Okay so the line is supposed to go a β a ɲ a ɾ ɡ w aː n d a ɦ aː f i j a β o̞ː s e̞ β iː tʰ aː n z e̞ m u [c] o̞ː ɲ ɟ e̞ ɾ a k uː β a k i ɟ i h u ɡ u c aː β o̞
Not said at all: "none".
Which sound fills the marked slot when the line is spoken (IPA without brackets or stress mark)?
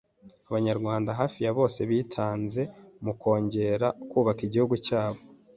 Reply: k